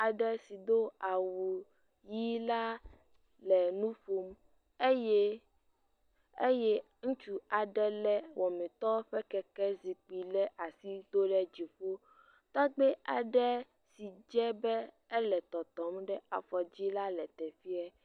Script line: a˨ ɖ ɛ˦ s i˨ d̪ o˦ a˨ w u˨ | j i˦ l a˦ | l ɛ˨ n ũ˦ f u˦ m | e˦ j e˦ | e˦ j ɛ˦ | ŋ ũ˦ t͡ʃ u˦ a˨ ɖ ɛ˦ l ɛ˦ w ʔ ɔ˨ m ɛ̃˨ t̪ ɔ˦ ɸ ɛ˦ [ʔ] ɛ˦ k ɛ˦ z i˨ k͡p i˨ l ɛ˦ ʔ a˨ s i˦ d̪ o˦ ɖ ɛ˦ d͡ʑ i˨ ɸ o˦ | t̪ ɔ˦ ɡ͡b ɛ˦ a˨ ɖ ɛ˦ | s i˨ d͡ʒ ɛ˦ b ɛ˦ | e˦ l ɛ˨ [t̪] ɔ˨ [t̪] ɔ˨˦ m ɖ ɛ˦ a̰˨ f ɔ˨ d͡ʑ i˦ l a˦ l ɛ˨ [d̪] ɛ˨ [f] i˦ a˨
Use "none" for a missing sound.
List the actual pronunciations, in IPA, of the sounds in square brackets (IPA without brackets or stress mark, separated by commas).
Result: k, t̪, t̪, t̪, f